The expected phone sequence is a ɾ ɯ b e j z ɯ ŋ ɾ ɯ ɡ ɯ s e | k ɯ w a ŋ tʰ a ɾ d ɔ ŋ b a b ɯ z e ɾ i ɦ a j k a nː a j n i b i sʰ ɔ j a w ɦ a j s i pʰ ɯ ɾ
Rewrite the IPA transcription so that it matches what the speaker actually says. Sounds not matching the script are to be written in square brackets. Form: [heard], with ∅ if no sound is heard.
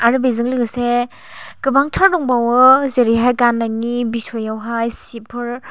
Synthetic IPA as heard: a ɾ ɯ b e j z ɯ ŋ [l] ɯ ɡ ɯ s e | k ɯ [b] a ŋ tʰ a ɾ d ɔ ŋ b a [w] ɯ z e ɾ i ɦ a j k a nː a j n i b i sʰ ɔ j a w ɦ a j s i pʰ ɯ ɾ